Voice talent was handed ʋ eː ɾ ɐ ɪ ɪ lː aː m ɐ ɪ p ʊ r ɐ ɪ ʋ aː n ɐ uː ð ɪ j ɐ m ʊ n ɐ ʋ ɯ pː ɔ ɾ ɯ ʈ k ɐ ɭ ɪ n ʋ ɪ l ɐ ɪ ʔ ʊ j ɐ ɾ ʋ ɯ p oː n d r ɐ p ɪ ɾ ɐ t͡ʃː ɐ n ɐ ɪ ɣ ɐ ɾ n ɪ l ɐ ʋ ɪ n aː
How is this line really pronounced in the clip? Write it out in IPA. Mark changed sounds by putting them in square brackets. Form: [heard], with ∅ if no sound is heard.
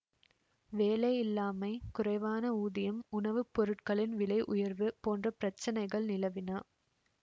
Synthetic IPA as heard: ʋ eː [l] ɐ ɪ ɪ lː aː m ɐ ɪ [k] ʊ r ɐ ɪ ʋ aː n ɐ uː ð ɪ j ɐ m ʊ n ɐ ʋ ɯ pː ɔ ɾ ɯ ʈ k ɐ ɭ ɪ n ʋ ɪ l ɐ ɪ ʔ ʊ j ɐ ɾ ʋ ɯ p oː n d r ɐ p ɪ ɾ ɐ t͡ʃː ɐ n ɐ ɪ ɣ ɐ [ɭ] n ɪ l ɐ ʋ ɪ n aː